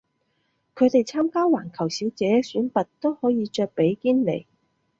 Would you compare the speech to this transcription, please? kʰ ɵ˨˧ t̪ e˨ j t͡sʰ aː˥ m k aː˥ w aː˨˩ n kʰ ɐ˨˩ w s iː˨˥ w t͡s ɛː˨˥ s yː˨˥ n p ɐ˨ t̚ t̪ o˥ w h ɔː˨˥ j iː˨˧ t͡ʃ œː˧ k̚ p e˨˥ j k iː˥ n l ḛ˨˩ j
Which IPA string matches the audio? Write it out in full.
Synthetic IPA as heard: kʰ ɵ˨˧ t̪ e˨ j t͡sʰ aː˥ m k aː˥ w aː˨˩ n kʰ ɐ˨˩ w s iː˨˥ w t͡s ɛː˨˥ s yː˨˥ n p ɐ˨ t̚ t̪ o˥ w h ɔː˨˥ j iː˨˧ t͡ʃ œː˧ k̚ p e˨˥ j k iː˥ n l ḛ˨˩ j